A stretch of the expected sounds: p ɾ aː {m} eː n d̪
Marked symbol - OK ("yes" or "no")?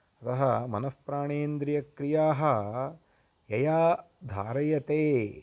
no